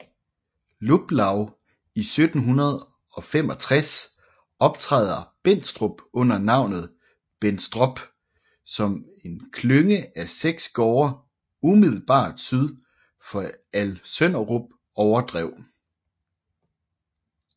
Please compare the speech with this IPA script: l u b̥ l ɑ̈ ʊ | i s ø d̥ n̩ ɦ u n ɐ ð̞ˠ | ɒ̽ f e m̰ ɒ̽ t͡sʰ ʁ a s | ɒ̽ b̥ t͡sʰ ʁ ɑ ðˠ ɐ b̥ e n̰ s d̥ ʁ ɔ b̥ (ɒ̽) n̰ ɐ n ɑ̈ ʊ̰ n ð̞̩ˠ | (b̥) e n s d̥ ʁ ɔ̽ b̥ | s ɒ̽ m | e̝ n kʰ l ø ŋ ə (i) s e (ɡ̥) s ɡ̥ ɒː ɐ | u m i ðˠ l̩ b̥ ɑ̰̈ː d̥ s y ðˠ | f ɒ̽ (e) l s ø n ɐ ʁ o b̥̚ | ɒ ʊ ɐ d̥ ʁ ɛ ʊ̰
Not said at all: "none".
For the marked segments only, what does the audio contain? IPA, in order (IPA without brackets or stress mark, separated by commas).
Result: ɔ̽, b̥, æ, ɡ̥, æ